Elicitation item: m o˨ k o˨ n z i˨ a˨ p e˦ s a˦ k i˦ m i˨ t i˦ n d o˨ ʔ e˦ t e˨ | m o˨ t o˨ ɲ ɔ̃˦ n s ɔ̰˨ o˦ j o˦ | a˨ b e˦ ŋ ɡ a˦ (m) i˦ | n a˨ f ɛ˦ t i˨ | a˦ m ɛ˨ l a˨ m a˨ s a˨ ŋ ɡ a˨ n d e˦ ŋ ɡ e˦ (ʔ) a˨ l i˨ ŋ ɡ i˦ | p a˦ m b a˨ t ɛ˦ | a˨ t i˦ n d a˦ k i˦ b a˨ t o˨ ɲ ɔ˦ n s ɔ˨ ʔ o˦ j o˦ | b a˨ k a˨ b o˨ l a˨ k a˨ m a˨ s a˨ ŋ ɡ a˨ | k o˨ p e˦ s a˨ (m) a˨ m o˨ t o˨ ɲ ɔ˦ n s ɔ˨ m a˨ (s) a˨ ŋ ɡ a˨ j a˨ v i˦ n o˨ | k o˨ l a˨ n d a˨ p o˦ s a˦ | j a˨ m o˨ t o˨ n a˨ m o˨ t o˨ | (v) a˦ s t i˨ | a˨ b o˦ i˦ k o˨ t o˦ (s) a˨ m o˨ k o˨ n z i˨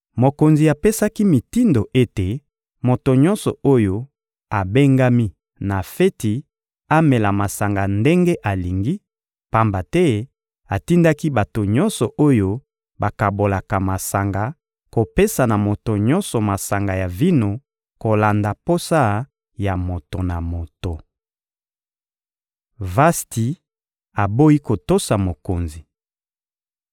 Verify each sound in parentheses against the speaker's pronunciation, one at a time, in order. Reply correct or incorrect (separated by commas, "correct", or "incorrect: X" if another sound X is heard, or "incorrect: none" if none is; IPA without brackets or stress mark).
correct, correct, incorrect: n, correct, correct, correct